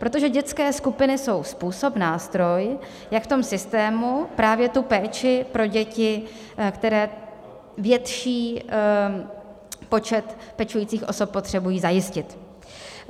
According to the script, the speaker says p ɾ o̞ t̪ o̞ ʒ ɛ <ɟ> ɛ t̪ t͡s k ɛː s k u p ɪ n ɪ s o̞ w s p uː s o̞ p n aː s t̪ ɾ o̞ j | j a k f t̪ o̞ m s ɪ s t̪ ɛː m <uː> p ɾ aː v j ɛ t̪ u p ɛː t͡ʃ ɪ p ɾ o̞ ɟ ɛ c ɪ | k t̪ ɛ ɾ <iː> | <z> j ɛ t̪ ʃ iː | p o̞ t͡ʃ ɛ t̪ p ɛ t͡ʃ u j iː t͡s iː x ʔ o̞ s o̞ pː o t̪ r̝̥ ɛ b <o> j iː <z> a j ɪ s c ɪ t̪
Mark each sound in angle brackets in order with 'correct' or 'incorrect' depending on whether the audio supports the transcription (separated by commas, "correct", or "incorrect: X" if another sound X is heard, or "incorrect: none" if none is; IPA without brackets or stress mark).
correct, incorrect: u, incorrect: ɛː, incorrect: v, incorrect: u, correct